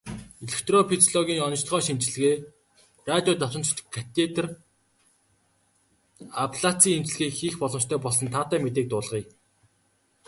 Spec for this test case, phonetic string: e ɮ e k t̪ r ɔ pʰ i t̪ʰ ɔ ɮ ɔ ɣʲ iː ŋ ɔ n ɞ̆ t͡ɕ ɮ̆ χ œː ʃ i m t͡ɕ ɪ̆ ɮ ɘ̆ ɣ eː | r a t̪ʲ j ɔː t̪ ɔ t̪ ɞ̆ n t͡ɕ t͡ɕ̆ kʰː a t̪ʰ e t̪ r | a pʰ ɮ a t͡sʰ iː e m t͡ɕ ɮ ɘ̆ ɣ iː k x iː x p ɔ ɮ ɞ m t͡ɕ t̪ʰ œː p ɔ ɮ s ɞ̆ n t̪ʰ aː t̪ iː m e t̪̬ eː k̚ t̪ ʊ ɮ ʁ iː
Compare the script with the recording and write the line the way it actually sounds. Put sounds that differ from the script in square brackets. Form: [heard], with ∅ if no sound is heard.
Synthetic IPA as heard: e ɮ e k t̪ r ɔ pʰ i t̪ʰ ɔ ɮ ɔ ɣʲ iː ŋ ɔ n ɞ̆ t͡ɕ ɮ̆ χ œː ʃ i m t͡ɕ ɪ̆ ɮ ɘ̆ ɣ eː | r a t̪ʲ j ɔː t̪ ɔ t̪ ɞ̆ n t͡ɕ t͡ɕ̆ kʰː a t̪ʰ e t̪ r | a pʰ ɮ a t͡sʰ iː e m t͡ɕ ɮ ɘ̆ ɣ iː k x iː x p ɔ ɮ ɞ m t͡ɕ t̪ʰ œː p ɔ ɮ s ɞ̆ n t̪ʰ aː t̪ [æː] m e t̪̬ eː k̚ t̪ [ʊː] ɮ ʁ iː